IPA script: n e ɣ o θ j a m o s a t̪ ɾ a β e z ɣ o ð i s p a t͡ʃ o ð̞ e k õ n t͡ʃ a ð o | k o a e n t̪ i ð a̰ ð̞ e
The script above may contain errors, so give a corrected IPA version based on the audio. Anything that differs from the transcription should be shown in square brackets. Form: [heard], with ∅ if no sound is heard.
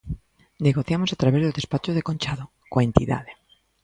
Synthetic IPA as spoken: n e ɣ o θ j a m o s a t̪ ɾ a β e z [ð] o ð [e] s p a t͡ʃ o ð̞ e k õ n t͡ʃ a ð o | k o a e n t̪ i ð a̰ ð̞ e